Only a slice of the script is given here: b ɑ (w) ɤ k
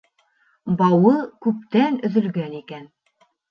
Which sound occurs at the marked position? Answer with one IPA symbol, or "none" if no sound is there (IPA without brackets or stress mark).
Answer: w